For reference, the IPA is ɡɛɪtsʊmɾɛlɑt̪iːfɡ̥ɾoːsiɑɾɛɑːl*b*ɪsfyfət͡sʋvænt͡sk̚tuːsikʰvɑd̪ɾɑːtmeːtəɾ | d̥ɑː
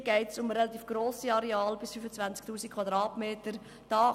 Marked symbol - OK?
yes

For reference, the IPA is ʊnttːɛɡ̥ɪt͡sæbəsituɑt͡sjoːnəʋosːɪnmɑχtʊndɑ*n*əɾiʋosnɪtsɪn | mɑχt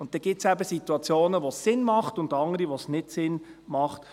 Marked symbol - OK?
no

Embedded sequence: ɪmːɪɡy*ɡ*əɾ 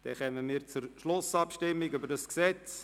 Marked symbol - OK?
no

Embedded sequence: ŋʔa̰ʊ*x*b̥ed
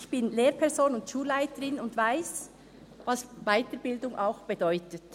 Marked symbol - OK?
yes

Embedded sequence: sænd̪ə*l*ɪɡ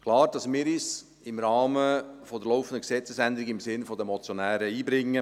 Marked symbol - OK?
no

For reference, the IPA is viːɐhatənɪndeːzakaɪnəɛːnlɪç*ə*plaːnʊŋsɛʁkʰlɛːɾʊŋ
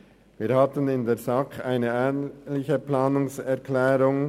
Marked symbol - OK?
yes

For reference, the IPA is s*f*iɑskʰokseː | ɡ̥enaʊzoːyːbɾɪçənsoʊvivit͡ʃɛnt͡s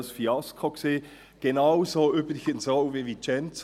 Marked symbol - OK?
yes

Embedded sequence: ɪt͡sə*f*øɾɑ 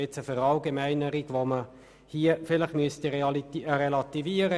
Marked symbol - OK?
yes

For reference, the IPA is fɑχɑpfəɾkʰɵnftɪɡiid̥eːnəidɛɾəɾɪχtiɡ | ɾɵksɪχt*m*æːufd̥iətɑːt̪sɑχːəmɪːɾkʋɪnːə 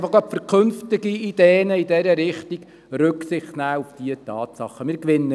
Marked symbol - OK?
no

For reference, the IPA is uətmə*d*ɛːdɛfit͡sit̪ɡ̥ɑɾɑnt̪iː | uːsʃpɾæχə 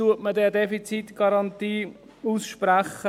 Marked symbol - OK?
yes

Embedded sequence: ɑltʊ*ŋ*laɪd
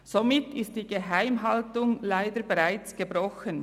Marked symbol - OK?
yes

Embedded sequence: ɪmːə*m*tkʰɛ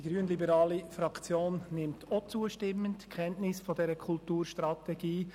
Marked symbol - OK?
no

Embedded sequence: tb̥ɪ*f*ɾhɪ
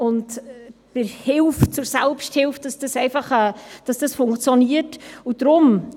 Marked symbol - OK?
no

